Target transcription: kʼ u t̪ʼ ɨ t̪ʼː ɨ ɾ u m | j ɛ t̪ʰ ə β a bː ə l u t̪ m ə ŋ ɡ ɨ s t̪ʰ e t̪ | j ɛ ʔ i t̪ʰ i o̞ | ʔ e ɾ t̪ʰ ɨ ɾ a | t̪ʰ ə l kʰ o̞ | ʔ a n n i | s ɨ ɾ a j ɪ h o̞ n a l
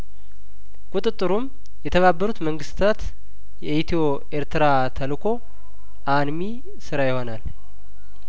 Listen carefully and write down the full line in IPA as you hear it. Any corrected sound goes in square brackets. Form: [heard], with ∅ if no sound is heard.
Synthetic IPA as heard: kʼ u t̪ʼ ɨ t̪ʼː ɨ ɾ u m | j ɛ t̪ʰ ə β a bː ə [ɾ] u t̪ m ə ŋ ɡ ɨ s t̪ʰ [a] t̪ | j ɛ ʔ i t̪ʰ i o̞ | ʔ e ɾ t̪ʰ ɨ ɾ a | t̪ʰ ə l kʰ o̞ | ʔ a n [m] i | s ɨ ɾ a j ɪ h o̞ n a l